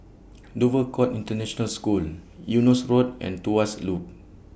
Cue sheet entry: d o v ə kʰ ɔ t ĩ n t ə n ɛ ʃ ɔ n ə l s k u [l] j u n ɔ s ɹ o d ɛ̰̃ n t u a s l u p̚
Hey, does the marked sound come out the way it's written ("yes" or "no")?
yes